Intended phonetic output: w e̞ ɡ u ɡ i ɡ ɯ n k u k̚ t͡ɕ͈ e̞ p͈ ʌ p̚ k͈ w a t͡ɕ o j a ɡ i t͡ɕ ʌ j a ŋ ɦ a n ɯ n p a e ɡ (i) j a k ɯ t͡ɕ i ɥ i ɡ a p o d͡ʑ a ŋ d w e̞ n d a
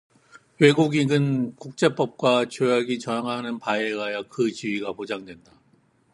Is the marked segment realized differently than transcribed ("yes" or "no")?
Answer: yes